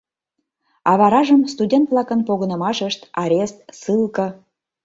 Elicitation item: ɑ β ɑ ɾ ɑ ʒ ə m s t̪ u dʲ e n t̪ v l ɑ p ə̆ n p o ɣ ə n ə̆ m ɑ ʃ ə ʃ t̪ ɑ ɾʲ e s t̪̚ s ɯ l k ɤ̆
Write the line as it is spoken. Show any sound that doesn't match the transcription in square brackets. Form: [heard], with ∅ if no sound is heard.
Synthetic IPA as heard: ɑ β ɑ ɾ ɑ ʒ ə m s t̪ u dʲ e n t̪ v l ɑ [k] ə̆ n p o ɣ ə n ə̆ m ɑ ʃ ə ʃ t̪ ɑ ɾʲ e s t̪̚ s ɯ l k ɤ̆